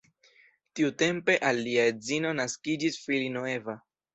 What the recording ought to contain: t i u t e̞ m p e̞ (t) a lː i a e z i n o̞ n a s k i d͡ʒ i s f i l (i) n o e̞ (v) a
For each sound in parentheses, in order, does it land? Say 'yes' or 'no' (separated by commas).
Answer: no, yes, yes